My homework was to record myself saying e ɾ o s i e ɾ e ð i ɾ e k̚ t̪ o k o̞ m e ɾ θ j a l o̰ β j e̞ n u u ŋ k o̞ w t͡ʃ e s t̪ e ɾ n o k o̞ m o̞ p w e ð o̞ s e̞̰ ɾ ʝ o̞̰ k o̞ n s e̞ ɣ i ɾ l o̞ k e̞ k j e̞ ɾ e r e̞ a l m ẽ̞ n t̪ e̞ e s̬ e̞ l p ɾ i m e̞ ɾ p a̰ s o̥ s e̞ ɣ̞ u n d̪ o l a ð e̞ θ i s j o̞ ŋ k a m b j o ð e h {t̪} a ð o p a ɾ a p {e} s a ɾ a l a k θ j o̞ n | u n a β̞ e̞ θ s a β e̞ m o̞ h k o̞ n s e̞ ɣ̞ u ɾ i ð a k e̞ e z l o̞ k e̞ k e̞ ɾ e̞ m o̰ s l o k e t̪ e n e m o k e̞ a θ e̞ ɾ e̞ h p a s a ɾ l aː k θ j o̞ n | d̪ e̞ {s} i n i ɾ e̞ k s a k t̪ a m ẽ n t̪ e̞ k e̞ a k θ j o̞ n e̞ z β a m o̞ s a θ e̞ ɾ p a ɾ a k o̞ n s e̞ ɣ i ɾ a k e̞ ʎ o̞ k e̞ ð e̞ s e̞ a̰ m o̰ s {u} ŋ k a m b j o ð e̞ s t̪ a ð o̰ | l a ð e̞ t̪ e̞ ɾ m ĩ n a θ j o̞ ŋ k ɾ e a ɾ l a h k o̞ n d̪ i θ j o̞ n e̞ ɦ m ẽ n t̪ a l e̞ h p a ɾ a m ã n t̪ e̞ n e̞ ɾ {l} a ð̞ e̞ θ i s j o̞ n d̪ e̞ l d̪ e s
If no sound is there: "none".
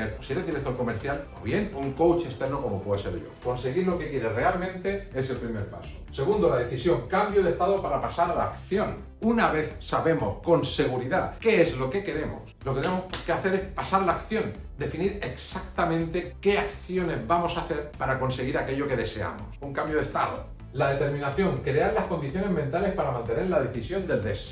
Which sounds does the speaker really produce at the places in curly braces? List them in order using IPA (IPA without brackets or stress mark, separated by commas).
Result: t̪, a, f, u, l